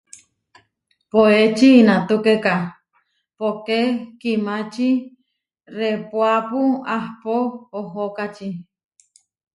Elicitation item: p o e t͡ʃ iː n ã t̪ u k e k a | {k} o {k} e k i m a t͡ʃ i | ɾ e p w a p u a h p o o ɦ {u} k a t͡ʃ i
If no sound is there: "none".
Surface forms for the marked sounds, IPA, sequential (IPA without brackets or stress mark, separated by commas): p, k, o